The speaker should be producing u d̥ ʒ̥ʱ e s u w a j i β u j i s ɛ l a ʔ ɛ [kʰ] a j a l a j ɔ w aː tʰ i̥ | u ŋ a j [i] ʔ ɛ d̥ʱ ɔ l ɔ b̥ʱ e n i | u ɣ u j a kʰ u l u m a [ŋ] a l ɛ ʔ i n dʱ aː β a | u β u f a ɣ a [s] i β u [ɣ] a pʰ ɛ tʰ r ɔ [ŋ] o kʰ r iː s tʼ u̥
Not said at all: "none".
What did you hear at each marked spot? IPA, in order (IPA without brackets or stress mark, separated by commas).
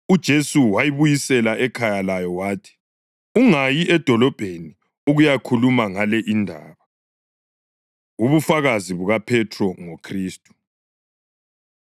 kʰ, i, ŋ, z, ɣ, ŋ